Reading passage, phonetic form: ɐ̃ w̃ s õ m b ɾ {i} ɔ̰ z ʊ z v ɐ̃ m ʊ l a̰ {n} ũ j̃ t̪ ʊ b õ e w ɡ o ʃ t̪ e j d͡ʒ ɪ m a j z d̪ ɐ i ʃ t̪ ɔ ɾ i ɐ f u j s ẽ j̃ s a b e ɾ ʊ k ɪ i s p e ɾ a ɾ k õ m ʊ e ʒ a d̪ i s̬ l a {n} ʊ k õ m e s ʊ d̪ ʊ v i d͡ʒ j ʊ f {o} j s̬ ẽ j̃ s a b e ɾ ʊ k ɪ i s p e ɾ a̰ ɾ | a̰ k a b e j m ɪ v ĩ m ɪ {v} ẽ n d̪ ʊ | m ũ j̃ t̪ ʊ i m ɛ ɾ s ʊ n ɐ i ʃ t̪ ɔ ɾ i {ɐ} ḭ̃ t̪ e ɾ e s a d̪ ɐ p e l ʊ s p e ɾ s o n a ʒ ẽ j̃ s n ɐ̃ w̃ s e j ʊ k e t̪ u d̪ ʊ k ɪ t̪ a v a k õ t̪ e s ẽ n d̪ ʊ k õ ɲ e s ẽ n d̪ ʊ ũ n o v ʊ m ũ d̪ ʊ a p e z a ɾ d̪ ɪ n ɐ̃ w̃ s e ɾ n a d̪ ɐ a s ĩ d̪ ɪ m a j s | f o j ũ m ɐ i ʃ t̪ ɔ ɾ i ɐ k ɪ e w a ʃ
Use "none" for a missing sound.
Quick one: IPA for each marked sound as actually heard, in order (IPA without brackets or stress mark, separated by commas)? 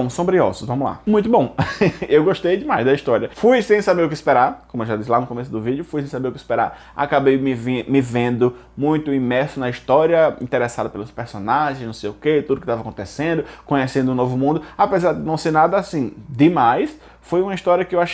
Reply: i, m, n, u, v, ɐ